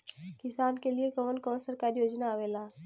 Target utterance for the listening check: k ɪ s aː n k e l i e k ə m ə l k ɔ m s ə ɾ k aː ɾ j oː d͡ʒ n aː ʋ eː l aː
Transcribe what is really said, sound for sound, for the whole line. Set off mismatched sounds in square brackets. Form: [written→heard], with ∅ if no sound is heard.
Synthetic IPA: k ɪ s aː n k e l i e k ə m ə l k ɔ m s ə ɾ k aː ɾ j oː d͡ʒ n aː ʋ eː l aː